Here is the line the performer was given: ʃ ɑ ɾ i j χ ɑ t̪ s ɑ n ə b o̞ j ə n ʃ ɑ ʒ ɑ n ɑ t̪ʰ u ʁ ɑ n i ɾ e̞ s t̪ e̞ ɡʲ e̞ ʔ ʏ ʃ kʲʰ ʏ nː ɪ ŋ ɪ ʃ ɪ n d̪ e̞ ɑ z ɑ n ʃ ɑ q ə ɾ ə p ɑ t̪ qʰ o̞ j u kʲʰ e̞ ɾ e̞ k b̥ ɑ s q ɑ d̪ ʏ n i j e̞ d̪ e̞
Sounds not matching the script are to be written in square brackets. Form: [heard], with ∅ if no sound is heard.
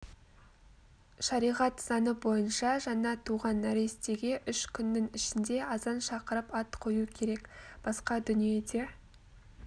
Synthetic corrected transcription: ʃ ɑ ɾ i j [ʁ] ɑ t̪ s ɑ n ə b o̞ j ə n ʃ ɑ ʒ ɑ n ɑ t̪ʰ u ʁ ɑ n [æ] ɾ e̞ s t̪ e̞ ɡʲ e̞ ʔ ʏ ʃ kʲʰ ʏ nː ɪ ŋ ɪ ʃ ɪ n d̪ e̞ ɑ z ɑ n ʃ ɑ q ə ɾ ə p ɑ t̪ qʰ o̞ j u kʲʰ e̞ ɾ e̞ k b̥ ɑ s q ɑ d̪ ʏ n i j e̞ d̪ e̞